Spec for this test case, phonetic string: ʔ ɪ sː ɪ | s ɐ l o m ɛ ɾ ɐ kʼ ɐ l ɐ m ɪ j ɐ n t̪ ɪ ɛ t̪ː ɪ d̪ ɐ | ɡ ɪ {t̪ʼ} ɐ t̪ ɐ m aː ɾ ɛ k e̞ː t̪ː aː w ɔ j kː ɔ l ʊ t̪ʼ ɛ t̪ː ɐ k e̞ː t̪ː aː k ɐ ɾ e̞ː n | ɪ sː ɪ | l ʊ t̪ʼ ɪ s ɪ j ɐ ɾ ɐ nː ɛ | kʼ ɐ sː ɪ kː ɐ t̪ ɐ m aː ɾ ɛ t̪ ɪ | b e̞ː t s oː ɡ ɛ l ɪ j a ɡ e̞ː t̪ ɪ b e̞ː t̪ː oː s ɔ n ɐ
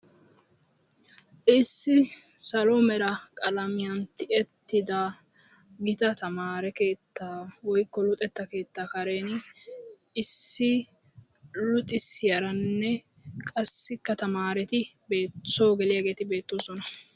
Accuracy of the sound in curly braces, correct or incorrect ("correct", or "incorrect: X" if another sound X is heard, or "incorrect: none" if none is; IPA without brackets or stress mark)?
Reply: incorrect: t̪